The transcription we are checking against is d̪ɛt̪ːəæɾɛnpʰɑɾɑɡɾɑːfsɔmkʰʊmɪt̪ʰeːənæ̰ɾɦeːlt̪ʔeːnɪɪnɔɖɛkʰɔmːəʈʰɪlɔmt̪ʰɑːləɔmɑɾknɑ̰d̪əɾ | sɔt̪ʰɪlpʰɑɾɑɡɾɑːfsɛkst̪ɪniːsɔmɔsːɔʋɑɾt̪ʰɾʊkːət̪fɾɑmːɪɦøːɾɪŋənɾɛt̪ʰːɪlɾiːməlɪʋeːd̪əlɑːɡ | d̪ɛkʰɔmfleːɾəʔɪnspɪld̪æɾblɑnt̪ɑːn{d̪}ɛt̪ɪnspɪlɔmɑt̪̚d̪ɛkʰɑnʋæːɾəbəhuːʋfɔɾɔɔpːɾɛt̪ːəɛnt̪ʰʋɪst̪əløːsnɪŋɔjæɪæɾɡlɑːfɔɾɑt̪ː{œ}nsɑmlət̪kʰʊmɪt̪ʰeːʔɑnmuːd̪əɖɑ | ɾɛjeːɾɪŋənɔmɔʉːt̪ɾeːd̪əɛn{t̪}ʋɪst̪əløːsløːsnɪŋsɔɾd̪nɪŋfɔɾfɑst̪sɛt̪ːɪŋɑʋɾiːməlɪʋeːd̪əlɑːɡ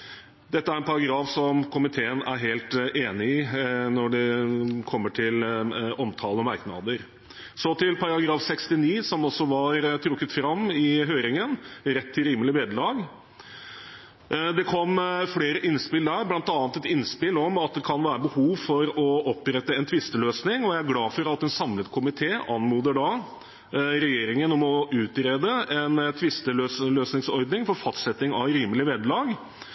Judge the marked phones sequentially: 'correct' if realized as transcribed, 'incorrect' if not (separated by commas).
incorrect, incorrect, incorrect